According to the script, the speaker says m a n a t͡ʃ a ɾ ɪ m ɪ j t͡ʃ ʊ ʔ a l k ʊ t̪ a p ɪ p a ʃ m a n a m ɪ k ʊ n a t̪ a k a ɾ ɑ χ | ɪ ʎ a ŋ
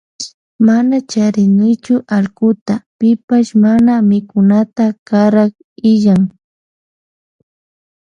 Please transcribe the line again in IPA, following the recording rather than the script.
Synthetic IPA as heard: m a n a t͡ʃ a ɾ ɪ n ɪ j t͡ʃ ʊ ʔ a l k ʊ t̪ a p ɪ p a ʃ m a n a m ɪ k ʊ n a t̪ a k a ɾ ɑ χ | ɪ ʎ a ŋ